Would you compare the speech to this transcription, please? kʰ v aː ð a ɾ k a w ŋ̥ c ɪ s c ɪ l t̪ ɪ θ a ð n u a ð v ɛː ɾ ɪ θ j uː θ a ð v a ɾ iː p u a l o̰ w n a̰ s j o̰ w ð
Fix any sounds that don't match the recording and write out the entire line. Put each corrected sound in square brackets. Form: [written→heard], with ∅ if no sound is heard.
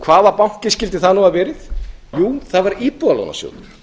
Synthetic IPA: kʰ v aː ð a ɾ [k→p] a w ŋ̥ c ɪ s c ɪ l t̪ ɪ θ a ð n u a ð v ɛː ɾ ɪ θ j uː θ a ð v a ɾ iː p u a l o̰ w n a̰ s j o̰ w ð